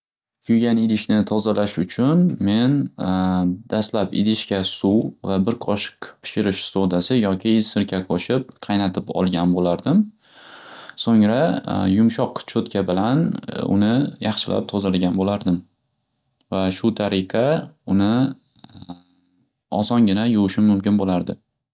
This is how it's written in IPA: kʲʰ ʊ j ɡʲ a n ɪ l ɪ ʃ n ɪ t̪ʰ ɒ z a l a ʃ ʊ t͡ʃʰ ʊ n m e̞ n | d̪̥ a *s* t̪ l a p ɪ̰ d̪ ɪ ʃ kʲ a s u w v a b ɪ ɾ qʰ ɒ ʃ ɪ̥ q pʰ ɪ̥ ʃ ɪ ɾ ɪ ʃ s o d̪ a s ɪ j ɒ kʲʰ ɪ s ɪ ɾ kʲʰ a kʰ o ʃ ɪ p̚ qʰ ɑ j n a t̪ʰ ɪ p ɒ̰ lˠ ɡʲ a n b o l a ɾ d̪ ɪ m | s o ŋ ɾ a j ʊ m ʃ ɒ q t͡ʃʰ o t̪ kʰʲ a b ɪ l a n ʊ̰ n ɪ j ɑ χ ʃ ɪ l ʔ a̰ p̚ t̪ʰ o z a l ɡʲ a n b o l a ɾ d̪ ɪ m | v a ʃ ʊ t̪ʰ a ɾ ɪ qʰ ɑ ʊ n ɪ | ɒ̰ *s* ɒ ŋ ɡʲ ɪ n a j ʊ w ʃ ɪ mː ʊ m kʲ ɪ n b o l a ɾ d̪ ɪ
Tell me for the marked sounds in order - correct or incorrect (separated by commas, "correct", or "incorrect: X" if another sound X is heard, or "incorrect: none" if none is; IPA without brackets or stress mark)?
correct, correct